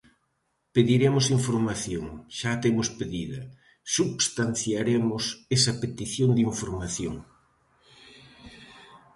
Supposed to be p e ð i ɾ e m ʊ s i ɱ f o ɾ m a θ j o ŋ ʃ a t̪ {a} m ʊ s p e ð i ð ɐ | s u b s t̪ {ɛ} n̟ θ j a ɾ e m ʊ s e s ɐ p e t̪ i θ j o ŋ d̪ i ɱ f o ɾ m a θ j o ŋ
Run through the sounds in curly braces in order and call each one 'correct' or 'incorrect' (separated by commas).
incorrect, incorrect